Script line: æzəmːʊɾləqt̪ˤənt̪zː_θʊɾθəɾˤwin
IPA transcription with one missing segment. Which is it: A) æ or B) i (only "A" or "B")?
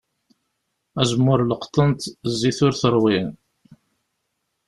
B